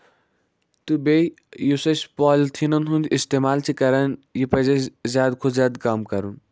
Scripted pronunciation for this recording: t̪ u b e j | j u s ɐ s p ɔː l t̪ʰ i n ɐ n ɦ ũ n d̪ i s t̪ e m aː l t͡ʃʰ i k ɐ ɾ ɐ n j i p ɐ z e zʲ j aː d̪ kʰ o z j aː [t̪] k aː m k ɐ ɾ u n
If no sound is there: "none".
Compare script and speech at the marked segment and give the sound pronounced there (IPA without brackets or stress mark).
d̪